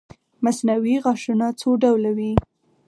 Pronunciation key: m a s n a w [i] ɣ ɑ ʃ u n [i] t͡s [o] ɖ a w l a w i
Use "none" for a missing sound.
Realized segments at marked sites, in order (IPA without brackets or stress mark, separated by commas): i, a, o